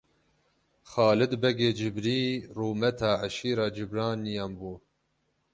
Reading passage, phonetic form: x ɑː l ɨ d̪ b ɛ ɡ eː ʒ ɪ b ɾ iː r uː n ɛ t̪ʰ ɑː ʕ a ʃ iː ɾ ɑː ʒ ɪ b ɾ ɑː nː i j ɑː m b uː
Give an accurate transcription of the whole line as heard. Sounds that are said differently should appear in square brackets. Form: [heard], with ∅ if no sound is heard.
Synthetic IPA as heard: x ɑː l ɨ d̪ b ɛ ɡ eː [d͡ʒ] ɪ b ɾ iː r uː [m] ɛ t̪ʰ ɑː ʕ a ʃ iː ɾ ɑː [d͡ʒ] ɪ b ɾ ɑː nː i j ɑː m b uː